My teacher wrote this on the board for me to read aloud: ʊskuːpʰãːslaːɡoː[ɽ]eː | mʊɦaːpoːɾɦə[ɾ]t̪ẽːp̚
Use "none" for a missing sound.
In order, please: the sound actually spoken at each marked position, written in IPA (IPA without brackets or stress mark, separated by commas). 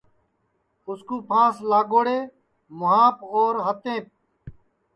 ɽ, none